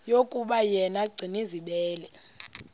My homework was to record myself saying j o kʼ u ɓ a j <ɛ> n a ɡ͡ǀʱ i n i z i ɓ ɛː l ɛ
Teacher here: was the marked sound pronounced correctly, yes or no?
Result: yes